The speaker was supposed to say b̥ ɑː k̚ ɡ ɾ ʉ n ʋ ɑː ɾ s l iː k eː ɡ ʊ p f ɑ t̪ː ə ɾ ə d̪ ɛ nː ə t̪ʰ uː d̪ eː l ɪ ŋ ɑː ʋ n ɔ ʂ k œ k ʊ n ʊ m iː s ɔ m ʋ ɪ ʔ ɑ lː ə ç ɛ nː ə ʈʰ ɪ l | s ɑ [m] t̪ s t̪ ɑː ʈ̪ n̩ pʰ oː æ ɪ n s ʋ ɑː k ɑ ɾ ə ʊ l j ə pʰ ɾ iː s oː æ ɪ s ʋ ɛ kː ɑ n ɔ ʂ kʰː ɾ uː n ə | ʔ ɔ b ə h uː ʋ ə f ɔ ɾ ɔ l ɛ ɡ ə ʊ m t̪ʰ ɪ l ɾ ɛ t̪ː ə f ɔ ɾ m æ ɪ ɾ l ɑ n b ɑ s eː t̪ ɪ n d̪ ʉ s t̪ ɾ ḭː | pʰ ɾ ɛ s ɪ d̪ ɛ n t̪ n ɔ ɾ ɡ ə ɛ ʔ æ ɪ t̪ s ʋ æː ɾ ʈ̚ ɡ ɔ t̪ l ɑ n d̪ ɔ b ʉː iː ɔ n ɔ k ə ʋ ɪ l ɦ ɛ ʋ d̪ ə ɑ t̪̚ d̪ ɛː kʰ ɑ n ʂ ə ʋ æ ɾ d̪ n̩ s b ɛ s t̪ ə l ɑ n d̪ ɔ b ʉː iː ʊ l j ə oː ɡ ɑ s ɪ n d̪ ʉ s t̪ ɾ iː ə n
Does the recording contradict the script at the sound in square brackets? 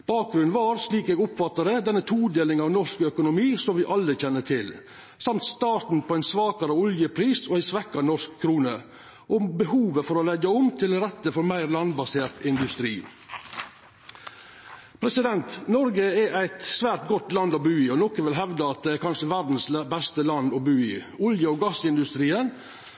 no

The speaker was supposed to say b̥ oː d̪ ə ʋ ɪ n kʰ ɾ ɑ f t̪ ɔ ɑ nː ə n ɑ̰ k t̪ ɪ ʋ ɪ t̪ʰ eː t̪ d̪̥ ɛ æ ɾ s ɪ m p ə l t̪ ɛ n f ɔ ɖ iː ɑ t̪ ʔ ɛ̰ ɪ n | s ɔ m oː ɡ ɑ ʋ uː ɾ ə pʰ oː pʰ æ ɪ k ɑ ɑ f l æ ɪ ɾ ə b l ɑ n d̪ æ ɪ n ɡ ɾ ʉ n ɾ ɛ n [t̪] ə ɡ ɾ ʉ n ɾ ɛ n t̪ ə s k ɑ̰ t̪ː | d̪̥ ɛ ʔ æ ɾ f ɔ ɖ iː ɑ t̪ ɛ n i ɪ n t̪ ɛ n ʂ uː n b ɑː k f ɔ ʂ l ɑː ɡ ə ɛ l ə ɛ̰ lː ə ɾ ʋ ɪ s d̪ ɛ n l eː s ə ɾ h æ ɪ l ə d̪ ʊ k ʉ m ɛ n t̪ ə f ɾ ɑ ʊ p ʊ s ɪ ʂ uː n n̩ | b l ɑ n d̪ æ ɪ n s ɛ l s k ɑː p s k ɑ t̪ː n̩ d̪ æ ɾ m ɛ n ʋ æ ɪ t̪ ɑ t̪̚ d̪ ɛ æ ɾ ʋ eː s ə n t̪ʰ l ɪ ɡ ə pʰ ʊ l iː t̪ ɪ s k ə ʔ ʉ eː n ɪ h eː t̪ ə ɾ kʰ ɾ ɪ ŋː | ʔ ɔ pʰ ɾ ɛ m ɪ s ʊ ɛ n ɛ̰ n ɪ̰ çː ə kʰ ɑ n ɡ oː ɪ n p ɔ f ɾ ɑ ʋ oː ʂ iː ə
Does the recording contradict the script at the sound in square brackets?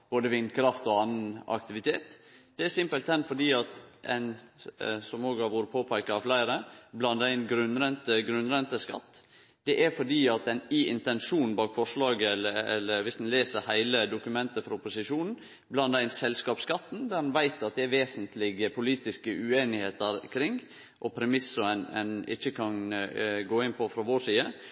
no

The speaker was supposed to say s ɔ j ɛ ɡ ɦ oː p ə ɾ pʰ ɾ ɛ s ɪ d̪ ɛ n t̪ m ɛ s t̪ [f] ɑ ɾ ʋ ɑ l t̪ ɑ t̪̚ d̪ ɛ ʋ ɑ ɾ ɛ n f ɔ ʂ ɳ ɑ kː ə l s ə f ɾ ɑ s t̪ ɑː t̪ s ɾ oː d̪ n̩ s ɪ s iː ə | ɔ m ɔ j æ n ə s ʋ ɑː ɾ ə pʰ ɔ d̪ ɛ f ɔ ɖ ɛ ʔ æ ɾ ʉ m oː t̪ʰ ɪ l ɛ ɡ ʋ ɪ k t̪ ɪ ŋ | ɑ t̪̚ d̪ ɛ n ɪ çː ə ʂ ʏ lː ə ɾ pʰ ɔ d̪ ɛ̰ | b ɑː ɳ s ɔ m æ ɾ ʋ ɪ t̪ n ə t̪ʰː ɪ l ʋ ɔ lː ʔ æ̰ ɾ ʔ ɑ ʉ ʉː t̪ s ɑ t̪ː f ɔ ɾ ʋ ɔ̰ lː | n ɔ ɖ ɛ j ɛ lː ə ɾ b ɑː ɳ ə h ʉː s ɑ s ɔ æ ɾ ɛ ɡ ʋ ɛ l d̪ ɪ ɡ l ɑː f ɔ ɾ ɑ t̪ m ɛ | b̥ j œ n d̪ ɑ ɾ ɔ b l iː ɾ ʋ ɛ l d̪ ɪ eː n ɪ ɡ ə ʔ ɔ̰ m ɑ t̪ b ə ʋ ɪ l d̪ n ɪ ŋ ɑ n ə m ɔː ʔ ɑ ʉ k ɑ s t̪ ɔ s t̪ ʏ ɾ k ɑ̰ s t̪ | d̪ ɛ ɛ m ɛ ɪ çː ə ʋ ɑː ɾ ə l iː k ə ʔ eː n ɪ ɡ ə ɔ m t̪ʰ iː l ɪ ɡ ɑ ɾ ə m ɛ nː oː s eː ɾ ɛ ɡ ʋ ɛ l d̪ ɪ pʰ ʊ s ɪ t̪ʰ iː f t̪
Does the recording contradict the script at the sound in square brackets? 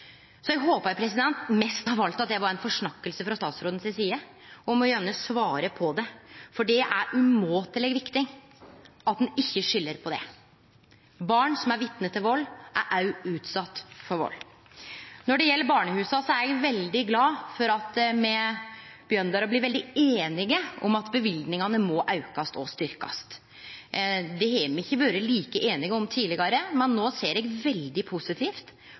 yes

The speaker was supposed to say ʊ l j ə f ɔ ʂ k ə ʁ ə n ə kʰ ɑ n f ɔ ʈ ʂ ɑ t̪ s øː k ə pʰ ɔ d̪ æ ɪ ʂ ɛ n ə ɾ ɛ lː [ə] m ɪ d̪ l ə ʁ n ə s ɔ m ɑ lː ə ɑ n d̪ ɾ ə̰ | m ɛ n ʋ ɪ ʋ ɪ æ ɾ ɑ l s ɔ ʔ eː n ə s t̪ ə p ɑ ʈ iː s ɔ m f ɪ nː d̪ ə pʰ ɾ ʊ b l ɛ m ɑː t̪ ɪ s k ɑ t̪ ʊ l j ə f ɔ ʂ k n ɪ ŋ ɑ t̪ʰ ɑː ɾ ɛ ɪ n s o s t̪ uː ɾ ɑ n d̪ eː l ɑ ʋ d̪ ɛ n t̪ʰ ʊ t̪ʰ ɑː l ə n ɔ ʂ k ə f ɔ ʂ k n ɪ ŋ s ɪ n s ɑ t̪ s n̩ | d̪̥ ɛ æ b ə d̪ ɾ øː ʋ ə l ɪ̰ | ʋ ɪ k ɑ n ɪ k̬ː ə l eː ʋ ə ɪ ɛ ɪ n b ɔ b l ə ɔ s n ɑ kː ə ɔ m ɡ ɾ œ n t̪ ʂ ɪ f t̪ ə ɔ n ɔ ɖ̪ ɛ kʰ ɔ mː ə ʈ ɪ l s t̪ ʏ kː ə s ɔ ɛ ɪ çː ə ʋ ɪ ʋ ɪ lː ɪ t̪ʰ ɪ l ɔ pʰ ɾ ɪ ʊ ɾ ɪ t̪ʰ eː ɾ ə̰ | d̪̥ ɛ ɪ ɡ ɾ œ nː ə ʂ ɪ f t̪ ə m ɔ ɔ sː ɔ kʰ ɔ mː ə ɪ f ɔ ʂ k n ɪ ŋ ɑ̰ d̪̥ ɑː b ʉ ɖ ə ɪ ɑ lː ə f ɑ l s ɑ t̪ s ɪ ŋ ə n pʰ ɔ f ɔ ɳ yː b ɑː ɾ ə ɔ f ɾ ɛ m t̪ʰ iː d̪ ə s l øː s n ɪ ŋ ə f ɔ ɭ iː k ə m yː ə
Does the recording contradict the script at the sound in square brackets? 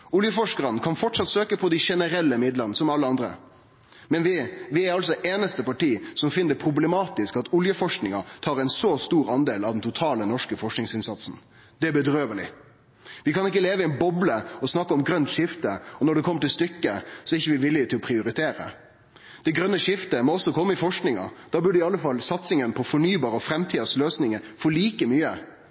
no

